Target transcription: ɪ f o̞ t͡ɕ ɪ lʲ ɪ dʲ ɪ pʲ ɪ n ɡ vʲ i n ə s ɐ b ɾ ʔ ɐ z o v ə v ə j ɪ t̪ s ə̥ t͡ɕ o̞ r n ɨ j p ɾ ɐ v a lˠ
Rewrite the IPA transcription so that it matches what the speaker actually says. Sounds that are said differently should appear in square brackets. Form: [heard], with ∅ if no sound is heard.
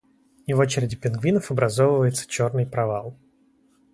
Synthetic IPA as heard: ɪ [v] o̞ t͡ɕ ɪ [ɾʲ] ɪ dʲ ɪ pʲ ɪ n ɡ vʲ i n ə [f] ɐ b ɾ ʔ ɐ z o v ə v ə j ɪ t̪ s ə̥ t͡ɕ o̞ r n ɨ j p ɾ ɐ v a lˠ